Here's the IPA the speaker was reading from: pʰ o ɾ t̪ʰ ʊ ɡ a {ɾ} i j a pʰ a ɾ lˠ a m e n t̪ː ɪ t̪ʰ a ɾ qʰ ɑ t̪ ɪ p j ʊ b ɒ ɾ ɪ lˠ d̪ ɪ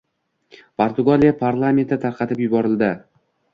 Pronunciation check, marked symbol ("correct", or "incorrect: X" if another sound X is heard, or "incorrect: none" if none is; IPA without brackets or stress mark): incorrect: l